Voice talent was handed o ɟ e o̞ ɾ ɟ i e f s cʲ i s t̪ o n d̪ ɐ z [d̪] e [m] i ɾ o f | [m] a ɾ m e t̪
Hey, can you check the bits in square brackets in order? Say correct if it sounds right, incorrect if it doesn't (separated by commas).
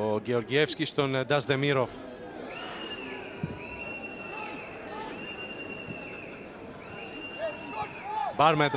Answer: correct, correct, incorrect